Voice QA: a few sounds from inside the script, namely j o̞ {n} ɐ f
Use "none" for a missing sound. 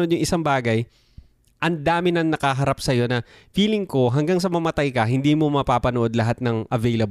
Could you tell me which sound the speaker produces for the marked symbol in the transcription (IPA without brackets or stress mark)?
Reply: n